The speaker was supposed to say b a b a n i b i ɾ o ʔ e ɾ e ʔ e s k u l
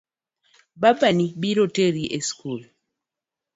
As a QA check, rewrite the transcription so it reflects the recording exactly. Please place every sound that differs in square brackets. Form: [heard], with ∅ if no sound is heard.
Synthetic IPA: b a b a n i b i ɾ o [t] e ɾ [i] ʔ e s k u l